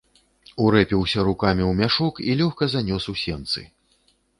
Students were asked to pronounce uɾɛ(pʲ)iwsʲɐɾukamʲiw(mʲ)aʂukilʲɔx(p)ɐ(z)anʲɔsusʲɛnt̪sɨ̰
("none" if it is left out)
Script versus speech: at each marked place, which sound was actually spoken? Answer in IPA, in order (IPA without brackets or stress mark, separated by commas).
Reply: pʲ, mʲ, k, z